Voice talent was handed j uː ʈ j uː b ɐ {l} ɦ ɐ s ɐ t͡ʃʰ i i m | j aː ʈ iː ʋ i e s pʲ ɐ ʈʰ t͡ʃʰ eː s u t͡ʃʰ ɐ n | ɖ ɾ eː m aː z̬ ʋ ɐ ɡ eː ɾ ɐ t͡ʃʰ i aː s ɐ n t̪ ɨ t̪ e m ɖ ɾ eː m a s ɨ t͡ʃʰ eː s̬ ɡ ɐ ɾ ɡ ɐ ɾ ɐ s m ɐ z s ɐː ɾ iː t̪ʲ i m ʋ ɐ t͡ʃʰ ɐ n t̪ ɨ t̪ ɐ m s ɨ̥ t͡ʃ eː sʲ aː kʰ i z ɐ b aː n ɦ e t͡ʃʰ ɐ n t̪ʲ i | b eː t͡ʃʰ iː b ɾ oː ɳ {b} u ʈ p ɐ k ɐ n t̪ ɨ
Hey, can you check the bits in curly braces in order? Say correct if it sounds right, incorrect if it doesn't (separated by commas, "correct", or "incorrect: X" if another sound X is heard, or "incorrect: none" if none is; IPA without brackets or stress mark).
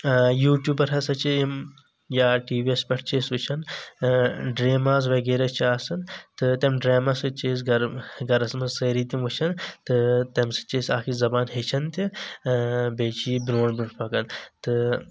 incorrect: ɾ, correct